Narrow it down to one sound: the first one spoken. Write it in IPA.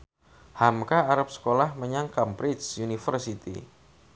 h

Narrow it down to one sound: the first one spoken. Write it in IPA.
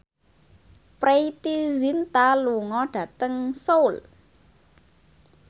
p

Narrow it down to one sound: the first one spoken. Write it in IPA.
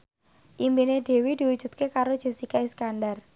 ʔ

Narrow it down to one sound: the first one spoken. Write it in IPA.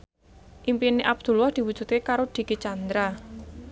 ʔ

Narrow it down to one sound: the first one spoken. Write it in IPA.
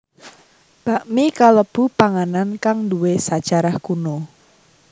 b̥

